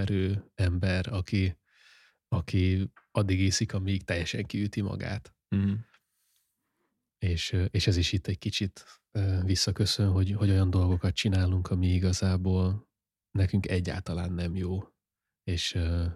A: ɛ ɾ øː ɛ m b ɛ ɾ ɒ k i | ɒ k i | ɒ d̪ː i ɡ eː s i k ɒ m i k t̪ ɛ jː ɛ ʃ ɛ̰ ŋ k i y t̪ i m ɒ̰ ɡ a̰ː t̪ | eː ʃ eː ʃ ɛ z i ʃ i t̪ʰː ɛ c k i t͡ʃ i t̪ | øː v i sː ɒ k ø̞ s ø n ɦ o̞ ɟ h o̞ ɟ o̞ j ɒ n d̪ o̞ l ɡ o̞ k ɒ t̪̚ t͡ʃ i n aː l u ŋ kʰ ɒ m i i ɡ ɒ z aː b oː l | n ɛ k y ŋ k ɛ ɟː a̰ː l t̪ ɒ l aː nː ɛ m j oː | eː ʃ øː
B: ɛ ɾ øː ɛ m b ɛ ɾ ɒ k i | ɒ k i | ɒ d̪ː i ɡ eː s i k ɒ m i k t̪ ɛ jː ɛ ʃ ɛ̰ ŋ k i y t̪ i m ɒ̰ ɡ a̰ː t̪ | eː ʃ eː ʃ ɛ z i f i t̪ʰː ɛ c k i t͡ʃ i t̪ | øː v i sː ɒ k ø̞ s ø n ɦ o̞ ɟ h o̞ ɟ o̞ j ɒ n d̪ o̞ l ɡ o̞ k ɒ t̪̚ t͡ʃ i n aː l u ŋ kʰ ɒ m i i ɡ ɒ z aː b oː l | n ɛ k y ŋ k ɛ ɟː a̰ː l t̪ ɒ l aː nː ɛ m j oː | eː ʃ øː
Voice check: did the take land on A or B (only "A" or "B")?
A